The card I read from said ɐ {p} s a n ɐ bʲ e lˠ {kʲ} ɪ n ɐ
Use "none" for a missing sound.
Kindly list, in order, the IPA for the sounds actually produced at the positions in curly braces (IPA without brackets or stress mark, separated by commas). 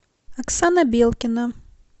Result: k, kʲ